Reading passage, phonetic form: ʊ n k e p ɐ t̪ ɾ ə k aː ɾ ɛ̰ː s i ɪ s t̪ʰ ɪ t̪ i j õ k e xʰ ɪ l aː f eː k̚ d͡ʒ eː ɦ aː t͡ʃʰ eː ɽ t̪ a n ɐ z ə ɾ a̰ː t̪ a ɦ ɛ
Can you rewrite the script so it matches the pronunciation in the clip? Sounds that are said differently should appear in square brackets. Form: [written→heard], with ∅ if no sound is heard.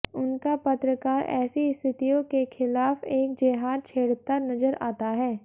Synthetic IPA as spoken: ʊ n k [e→a] p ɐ t̪ ɾ ə k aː ɾ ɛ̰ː s i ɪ s t̪ʰ ɪ t̪ i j õ k e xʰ ɪ l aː f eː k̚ d͡ʒ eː ɦ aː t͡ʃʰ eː ɽ t̪ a n ɐ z ə ɾ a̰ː t̪ a ɦ [ɛ→ɛː]